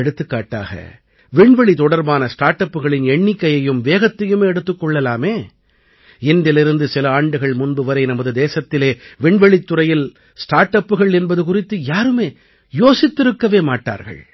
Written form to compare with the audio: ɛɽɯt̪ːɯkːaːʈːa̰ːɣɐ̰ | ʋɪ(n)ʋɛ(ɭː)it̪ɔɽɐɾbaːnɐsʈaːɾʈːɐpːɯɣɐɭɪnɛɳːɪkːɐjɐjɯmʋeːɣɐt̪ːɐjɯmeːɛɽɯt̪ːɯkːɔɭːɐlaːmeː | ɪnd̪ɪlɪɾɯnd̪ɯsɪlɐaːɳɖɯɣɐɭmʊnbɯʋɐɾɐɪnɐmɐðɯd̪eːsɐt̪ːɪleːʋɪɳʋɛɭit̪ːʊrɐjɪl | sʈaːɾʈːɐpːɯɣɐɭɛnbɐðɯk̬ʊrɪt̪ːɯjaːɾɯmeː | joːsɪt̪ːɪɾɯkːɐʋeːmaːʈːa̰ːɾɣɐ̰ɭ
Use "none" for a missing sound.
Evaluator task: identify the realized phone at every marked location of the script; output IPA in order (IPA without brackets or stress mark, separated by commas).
ɳ, ɭ